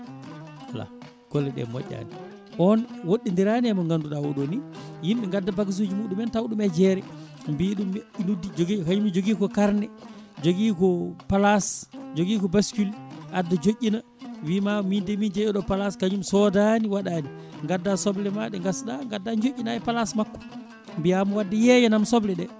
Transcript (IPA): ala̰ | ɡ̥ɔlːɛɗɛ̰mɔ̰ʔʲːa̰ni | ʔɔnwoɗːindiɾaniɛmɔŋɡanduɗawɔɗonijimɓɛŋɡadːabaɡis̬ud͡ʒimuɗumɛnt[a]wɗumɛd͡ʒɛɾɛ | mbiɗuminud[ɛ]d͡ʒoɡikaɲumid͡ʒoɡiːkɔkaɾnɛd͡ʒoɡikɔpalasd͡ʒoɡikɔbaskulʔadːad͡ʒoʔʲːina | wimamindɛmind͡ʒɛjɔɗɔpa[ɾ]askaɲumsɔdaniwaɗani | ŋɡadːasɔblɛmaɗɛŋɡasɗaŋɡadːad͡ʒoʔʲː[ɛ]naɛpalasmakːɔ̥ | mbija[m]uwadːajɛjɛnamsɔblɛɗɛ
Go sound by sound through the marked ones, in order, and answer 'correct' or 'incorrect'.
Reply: correct, incorrect, incorrect, incorrect, correct

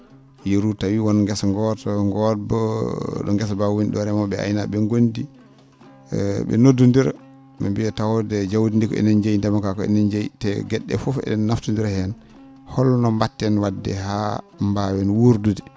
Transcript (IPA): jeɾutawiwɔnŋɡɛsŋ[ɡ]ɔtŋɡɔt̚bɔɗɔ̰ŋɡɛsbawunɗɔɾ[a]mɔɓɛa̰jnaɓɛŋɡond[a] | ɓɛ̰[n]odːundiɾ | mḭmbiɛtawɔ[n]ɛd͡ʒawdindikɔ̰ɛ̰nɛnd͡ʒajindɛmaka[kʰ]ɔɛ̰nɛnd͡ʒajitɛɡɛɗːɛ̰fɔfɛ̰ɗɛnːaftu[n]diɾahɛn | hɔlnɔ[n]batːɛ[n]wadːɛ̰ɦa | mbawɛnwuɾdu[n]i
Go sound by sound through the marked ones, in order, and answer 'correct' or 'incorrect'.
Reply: correct, incorrect, incorrect, correct, incorrect, incorrect, correct, incorrect, correct, incorrect

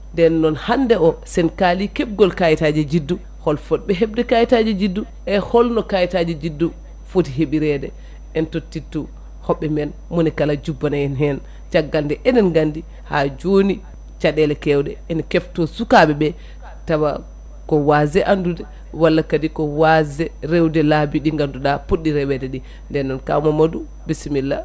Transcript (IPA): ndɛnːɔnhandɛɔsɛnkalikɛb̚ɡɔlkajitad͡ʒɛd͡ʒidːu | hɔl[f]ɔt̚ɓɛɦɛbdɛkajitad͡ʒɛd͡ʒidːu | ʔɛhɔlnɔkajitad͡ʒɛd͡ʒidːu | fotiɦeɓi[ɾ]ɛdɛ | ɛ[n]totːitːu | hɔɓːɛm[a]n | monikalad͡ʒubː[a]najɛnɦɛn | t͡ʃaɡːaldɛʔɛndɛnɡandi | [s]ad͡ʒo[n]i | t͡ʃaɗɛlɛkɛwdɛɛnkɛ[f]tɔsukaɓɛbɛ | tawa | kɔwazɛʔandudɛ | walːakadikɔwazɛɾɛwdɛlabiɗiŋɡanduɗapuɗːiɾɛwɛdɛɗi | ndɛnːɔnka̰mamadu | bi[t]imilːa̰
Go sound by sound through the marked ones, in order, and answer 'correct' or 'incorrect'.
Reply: correct, correct, correct, incorrect, correct, incorrect, correct, correct, incorrect

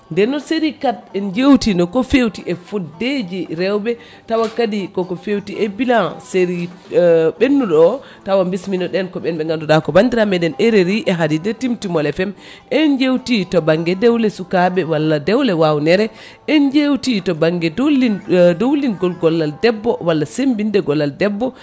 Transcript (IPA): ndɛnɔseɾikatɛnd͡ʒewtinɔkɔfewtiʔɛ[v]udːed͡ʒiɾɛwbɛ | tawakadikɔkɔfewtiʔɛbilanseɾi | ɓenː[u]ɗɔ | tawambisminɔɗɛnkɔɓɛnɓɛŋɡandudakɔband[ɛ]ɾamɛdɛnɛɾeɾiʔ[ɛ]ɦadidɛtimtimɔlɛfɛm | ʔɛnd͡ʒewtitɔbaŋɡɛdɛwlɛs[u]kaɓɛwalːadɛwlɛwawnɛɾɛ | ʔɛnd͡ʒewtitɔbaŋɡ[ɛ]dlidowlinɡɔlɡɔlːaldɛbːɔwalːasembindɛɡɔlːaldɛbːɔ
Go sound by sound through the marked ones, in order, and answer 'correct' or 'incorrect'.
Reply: incorrect, correct, incorrect, correct, correct, correct

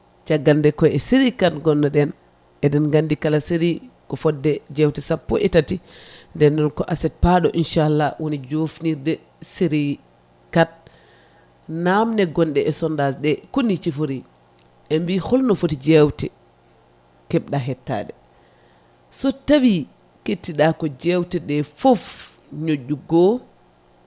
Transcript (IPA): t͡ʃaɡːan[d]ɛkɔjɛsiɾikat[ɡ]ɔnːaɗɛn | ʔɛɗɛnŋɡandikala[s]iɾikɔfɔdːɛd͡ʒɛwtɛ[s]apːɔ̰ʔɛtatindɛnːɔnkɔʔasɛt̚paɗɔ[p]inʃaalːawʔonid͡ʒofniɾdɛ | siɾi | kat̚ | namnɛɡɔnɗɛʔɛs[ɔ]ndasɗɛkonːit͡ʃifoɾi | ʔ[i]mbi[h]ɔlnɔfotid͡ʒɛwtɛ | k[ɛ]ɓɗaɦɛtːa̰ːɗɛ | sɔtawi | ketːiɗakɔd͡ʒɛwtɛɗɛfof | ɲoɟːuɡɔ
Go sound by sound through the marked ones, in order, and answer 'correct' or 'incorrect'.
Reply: correct, correct, correct, correct, incorrect, correct, incorrect, correct, correct

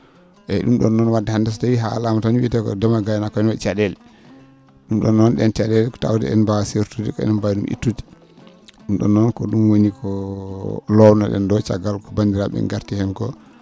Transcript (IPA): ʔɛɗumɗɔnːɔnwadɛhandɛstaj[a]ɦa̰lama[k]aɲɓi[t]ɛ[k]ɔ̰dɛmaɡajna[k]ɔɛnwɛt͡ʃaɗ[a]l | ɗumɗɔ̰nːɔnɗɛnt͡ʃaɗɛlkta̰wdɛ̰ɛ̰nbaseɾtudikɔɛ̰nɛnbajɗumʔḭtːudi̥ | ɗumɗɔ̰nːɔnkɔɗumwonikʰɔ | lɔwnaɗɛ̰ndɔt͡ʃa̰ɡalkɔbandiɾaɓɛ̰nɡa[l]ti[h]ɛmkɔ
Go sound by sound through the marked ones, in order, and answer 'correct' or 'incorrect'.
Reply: incorrect, incorrect, correct, correct, correct, incorrect, incorrect, correct

